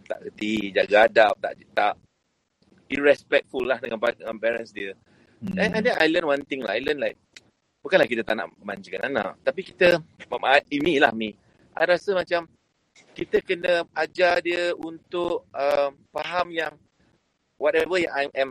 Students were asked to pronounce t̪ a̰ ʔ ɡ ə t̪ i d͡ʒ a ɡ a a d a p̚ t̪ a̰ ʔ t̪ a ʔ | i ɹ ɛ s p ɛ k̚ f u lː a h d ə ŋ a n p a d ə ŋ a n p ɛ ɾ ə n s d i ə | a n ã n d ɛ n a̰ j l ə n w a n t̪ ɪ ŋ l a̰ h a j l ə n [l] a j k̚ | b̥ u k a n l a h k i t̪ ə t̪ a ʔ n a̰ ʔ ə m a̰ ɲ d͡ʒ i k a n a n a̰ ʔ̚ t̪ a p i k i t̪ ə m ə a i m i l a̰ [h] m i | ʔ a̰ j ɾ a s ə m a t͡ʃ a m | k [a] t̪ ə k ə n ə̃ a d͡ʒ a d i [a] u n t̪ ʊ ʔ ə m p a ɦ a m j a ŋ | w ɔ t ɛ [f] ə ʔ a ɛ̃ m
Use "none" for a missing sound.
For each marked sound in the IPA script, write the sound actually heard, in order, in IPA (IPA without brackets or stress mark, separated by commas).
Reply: l, h, i, ə, v